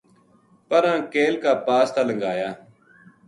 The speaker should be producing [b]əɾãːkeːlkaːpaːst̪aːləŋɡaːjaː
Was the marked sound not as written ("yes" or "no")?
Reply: yes